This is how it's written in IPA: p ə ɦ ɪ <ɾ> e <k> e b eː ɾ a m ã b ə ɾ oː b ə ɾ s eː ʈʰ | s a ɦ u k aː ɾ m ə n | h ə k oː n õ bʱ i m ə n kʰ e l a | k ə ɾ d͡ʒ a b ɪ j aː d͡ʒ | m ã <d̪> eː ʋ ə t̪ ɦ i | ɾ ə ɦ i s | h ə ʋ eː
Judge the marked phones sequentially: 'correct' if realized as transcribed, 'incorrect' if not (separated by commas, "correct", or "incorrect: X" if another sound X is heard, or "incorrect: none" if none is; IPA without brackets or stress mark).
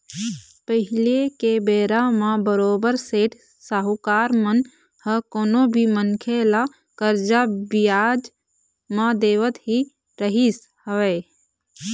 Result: incorrect: l, correct, correct